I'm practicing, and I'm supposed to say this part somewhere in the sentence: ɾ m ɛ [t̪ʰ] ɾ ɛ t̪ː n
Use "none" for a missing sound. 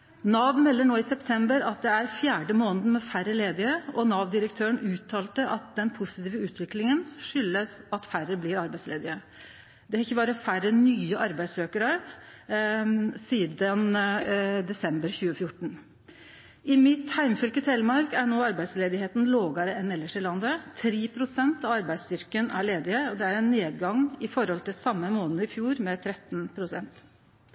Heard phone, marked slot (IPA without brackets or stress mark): t̪ʰ